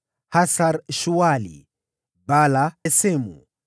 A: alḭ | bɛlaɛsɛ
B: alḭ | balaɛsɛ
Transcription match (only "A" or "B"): B